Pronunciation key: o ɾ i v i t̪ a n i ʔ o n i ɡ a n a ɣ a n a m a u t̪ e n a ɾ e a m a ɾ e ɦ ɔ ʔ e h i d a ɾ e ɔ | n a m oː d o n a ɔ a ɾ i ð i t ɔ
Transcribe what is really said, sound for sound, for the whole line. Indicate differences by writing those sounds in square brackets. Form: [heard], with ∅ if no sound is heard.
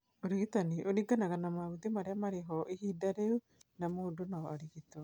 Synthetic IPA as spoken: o ɾ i [ɣ] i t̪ a n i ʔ o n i ɡ a n a ɣ a n a m a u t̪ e [m] a ɾ e a m a ɾ e ɦ ɔ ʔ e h i d a ɾ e [u] | n a m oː d o n a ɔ a ɾ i [ɣ] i t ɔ